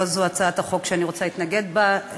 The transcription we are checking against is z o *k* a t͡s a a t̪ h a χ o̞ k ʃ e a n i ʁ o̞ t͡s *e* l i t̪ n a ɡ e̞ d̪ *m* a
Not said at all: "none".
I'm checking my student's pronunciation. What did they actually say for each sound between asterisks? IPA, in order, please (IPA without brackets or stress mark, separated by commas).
none, a, b